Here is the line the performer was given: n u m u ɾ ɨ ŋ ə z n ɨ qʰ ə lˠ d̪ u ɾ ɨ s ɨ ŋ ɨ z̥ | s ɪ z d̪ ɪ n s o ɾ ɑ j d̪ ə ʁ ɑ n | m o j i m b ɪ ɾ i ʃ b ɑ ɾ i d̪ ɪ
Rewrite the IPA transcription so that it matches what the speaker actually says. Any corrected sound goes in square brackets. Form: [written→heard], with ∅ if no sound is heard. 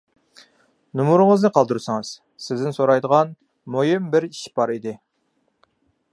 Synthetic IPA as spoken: n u m u ɾ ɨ ŋ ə z n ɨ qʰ [ə→ɑ] lˠ d̪ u ɾ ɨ s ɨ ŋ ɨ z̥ | s ɪ z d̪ ɪ n s o ɾ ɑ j d̪ ə ʁ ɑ n | m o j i m b ɪ ɾ i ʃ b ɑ ɾ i d̪ ɪ